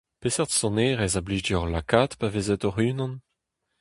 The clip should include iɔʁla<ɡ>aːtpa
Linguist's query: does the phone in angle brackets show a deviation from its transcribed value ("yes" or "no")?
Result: yes